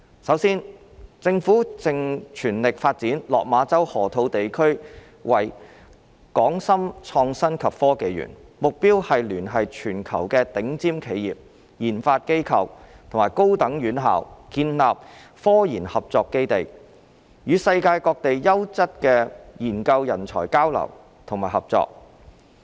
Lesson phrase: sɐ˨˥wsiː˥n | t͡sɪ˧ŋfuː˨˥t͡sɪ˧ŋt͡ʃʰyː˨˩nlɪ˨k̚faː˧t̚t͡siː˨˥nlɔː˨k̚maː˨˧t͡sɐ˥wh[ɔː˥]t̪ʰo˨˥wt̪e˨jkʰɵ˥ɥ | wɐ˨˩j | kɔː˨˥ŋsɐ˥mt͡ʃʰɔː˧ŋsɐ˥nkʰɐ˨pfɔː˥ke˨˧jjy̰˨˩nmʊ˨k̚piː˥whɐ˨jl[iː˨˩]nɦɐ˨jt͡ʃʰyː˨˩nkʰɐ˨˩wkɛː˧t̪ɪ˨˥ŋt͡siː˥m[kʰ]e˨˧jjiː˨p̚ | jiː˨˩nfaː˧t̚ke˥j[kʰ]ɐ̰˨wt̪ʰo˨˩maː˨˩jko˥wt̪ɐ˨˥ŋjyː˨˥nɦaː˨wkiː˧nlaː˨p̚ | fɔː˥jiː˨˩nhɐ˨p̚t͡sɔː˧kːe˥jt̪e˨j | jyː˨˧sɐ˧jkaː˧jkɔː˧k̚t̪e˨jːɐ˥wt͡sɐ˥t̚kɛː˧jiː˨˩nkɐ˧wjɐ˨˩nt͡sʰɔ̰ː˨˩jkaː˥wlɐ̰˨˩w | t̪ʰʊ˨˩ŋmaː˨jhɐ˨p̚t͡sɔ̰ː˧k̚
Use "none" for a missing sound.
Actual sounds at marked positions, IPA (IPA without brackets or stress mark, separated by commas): ɔː˨˩, yː˨˩, kʰ, kʰ